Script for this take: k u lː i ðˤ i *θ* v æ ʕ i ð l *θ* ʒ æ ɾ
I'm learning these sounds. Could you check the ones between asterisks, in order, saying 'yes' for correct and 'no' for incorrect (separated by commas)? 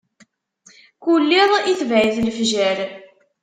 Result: yes, no